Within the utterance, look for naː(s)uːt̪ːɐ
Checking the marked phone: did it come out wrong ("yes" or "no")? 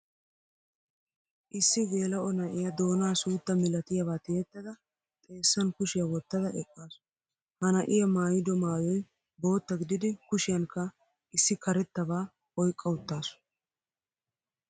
no